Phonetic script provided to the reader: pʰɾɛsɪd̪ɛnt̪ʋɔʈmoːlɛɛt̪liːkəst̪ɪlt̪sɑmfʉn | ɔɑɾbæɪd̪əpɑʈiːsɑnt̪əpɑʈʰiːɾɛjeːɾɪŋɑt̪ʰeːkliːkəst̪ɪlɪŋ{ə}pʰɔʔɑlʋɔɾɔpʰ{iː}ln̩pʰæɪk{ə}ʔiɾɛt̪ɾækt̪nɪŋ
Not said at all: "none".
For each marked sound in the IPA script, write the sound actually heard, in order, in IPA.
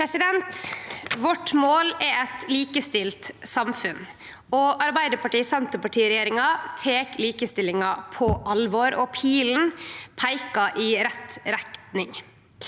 ɑ, iː, ɑ

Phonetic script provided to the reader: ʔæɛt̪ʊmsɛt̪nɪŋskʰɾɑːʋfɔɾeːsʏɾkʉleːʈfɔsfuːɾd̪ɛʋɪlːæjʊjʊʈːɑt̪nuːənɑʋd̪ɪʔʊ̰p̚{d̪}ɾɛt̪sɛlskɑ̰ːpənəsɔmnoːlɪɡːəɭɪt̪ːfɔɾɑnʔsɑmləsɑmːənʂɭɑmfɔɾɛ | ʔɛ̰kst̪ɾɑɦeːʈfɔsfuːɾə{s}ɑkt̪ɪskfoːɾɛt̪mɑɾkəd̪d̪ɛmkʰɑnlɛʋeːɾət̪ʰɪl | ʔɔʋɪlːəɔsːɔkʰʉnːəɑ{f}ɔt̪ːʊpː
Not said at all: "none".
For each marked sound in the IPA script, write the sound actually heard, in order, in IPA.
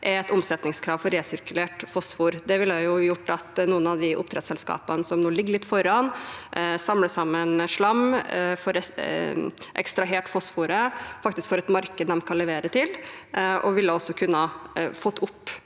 t̪, f, f

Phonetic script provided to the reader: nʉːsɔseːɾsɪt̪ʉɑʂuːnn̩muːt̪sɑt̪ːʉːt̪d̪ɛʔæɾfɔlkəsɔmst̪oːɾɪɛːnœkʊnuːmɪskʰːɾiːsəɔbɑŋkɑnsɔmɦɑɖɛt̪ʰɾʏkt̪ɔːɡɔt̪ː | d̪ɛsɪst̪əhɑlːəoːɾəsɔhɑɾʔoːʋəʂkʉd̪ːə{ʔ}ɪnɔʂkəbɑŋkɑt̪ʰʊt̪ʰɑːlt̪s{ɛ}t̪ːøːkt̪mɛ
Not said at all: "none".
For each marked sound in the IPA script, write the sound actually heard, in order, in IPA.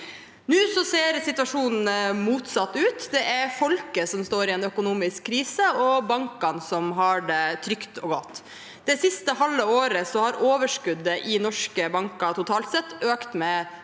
ʔ, ɛ

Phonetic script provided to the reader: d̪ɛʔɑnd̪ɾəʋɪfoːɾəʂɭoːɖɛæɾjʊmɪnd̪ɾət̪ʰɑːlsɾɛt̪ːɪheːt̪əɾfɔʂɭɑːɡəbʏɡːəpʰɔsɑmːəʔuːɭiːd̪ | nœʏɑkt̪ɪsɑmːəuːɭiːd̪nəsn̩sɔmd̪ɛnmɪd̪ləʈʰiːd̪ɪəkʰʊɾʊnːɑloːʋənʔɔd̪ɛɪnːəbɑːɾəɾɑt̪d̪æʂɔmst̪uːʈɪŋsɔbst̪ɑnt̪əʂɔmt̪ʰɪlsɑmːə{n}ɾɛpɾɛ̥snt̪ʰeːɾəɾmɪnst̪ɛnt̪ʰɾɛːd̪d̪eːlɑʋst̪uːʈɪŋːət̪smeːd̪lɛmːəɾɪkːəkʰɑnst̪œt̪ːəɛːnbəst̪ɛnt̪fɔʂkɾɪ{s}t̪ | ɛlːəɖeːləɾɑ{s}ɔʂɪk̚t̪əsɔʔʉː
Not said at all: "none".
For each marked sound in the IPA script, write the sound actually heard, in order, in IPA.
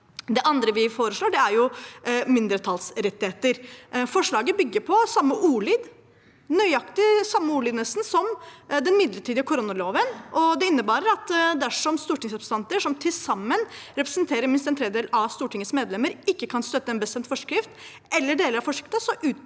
n, f, f

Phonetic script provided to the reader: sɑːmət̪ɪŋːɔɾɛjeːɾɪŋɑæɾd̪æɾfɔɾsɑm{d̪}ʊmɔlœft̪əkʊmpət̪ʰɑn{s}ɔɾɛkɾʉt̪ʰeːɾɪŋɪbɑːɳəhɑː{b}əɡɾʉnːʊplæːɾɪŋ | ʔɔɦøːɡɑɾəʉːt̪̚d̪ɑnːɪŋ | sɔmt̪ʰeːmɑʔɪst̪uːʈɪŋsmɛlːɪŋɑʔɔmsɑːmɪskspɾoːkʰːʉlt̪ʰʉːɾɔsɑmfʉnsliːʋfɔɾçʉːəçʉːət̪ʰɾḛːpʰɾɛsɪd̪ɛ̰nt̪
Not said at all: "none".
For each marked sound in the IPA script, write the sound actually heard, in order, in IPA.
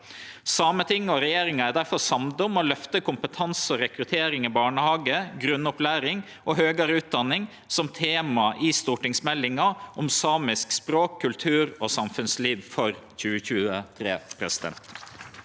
d̪, s, ɡ

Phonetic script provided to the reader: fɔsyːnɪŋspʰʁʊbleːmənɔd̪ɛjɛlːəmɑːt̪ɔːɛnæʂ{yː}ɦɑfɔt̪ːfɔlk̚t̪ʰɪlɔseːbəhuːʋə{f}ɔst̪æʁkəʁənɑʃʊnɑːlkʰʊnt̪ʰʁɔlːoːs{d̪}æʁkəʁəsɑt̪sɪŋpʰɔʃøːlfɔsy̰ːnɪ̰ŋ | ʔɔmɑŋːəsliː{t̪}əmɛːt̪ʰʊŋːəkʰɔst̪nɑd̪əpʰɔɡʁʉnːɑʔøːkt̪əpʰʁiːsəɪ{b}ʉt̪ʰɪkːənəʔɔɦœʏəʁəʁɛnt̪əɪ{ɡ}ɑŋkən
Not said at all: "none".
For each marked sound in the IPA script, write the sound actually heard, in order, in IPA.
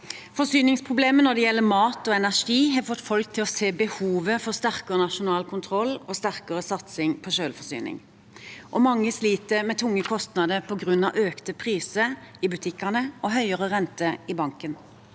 iː, f, t̪, t̪, b, b

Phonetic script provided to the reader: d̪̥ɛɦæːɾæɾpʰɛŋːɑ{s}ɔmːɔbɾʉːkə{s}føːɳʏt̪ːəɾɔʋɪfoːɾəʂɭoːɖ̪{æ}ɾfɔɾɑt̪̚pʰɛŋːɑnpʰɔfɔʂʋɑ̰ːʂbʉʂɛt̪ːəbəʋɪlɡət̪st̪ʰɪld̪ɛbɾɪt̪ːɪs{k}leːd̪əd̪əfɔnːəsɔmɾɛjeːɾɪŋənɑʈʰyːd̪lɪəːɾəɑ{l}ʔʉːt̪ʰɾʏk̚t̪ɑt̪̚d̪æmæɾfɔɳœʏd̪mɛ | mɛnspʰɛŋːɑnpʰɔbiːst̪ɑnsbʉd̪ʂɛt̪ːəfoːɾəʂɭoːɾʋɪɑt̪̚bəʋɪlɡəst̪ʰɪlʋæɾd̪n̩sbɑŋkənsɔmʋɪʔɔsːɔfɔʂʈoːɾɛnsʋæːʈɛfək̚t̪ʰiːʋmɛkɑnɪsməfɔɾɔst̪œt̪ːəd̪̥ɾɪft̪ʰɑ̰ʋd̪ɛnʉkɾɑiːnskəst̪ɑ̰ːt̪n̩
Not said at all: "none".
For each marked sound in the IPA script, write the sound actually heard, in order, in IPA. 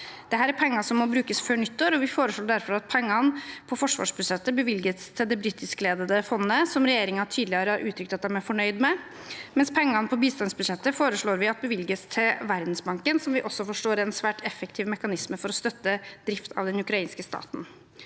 s, s, æ, k, ɾ

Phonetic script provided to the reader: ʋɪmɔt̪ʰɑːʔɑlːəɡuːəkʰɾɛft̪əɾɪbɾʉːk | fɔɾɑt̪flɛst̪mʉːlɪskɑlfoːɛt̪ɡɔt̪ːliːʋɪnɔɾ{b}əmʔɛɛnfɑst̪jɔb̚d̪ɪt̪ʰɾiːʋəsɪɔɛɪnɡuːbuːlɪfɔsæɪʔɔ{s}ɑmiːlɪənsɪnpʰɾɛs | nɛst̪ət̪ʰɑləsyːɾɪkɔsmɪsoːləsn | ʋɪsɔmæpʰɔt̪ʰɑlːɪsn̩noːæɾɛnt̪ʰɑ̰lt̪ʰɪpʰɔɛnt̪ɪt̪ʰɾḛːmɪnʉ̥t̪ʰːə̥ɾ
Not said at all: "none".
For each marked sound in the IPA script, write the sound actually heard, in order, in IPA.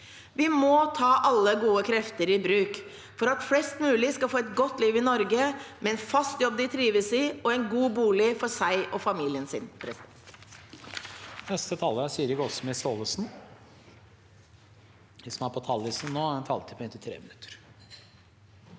ɡ, f

